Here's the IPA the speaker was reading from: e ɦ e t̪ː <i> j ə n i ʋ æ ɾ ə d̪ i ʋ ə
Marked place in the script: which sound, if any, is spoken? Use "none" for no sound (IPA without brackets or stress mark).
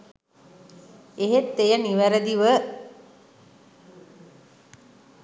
e